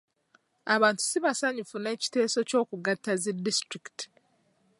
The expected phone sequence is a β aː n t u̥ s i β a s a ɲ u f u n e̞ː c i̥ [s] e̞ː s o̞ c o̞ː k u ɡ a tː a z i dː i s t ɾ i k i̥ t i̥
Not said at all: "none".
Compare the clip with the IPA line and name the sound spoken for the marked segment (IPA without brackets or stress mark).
t